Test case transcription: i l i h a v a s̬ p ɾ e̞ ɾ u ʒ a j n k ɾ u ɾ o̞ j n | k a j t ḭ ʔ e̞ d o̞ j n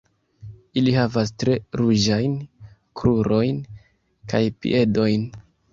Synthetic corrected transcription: i l i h a v a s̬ t ɾ e̞ ɾ u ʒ a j n k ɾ u ɾ o̞ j n | k a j p ḭ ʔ e̞ d o̞ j n